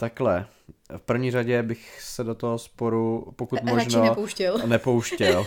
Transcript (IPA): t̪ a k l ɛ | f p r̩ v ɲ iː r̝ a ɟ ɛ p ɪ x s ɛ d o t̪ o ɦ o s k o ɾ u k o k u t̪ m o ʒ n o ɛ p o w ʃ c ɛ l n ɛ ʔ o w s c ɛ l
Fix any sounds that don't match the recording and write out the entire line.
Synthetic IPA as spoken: t̪ a k l ɛ | f p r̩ v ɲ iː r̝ a ɟ ɛ b ɪ x s ɛ d o t̪ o ɦ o s p o ɾ u p o k u t̪ m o ʒ n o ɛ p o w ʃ c ɛ l n ɛ p o w ʃ c ɛ l